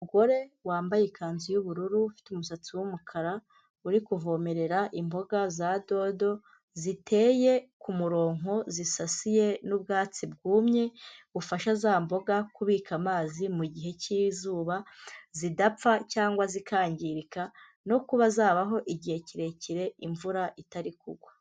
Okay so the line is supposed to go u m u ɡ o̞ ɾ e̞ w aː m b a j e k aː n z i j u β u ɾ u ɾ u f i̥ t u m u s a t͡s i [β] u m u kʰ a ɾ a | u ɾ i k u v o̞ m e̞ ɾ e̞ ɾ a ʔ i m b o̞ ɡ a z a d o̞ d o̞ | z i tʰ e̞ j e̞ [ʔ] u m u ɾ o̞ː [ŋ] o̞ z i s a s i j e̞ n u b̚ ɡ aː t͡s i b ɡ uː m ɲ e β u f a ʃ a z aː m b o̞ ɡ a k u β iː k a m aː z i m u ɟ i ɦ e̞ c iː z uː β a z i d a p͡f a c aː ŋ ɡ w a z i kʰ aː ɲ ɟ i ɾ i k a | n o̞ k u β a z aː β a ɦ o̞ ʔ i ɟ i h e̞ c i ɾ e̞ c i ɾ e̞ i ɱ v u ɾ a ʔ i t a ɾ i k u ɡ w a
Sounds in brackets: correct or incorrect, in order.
incorrect: w, incorrect: k, correct

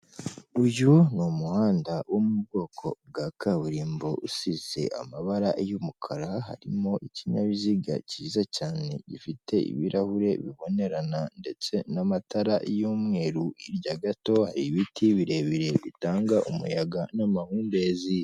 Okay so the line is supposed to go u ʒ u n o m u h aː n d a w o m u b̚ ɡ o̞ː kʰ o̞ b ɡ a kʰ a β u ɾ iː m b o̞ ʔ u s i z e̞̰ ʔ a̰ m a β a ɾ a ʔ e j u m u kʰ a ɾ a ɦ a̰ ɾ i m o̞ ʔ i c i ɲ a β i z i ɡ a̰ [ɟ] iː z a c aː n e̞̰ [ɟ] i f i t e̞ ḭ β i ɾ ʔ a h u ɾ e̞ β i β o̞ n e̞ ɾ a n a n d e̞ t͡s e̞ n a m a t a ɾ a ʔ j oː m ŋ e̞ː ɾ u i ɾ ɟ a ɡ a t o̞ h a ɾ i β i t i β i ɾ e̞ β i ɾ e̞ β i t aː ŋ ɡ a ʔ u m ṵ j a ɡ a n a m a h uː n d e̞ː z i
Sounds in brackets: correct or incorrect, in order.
incorrect: c, correct

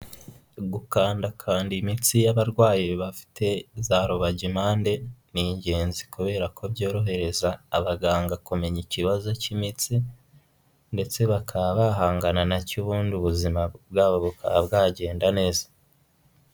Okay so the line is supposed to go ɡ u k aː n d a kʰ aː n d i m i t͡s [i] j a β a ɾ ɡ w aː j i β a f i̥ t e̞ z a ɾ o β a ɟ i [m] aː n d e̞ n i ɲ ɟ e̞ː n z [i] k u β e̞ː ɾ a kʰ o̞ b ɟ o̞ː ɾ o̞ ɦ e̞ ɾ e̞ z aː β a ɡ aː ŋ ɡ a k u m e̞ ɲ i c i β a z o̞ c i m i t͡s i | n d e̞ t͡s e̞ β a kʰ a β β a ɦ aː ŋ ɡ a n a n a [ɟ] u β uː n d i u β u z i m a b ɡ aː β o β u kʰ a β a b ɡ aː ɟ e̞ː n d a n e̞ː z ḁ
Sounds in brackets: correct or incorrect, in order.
correct, correct, correct, incorrect: c

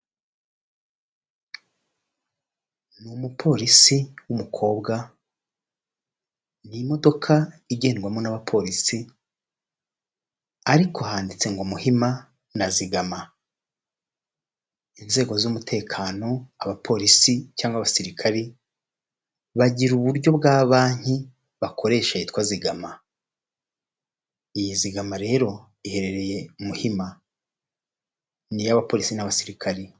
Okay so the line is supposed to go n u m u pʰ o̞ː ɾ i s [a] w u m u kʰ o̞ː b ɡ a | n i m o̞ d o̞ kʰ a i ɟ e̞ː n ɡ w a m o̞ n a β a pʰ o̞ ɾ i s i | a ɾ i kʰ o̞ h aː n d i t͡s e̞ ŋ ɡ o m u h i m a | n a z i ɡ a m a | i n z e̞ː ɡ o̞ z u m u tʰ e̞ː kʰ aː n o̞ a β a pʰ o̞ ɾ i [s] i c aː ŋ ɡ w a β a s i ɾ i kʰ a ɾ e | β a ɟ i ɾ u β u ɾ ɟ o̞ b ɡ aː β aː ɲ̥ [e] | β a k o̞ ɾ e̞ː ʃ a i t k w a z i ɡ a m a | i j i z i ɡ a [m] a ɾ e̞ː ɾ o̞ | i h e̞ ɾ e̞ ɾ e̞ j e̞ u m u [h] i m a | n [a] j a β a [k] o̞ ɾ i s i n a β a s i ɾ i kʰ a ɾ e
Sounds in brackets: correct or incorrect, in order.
incorrect: i, correct, incorrect: i, correct, correct, incorrect: i, incorrect: p

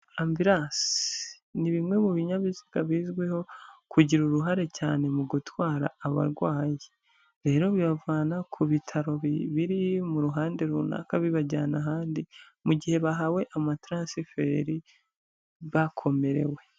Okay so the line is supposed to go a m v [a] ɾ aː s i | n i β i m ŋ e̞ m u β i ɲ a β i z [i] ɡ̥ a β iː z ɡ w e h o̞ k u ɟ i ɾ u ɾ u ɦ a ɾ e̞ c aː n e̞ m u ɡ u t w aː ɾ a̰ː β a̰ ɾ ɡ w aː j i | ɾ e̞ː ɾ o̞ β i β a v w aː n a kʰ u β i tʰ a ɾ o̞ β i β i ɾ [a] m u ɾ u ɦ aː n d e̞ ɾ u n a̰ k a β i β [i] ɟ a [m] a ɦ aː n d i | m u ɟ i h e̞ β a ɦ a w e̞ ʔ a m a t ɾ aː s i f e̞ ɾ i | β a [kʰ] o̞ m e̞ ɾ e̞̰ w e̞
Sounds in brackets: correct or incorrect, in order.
incorrect: i, correct, incorrect: i, incorrect: a, incorrect: n, correct

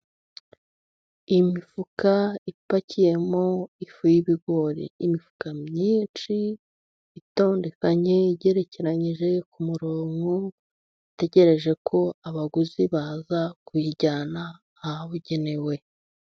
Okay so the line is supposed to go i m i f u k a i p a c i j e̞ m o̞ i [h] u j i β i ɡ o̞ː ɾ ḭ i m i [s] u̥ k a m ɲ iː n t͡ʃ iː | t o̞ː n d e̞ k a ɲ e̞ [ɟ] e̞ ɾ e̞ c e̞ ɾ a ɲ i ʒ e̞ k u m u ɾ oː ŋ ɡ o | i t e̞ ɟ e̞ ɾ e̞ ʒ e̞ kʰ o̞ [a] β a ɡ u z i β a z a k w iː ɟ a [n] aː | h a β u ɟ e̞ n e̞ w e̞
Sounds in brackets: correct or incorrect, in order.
incorrect: f, incorrect: f, correct, correct, correct

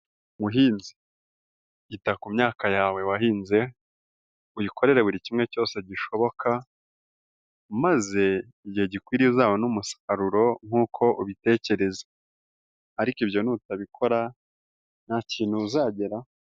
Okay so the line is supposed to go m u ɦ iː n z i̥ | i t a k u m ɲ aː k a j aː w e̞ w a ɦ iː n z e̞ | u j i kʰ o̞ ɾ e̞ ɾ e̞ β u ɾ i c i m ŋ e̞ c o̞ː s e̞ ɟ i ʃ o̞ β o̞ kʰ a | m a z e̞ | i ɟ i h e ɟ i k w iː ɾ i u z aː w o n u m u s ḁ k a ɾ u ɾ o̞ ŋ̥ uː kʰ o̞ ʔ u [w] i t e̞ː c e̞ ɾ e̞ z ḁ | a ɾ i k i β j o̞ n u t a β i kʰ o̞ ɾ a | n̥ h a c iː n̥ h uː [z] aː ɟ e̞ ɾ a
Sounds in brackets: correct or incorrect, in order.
incorrect: β, correct

